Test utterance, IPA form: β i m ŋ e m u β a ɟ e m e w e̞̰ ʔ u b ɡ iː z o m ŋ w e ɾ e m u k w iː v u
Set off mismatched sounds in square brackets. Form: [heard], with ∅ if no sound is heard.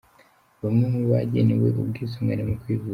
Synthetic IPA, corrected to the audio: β [a] m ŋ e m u β a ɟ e [n] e w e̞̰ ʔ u b ɡ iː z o m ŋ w e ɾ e m u k w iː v u